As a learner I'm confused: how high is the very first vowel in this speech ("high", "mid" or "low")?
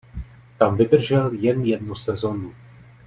low